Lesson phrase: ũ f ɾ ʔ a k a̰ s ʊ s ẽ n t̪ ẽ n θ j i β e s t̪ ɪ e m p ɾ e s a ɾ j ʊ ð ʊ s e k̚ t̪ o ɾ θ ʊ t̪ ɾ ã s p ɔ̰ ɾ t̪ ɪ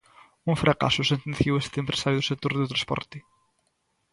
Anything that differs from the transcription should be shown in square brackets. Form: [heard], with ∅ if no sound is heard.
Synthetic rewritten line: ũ f ɾ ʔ a k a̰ s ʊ s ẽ n t̪ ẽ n θ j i [w] e s t̪ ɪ e m p ɾ e s a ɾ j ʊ ð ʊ s e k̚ t̪ o ɾ [ð] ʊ t̪ ɾ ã s p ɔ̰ ɾ t̪ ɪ